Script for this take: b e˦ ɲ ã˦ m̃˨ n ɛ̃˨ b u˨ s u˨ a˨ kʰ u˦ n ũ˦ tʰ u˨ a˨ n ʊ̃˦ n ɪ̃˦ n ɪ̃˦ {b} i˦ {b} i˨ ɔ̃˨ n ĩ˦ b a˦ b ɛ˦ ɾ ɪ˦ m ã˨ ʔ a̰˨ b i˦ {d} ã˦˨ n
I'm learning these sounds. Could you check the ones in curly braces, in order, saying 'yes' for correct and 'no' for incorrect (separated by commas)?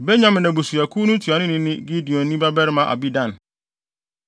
no, no, yes